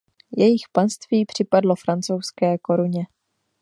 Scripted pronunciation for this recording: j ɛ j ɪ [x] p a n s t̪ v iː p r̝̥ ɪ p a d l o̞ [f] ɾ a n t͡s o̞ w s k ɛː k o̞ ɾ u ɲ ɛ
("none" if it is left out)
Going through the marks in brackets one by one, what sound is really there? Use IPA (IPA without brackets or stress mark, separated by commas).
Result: x, f